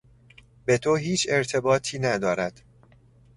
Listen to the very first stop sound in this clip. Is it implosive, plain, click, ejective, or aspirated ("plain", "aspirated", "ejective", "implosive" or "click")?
plain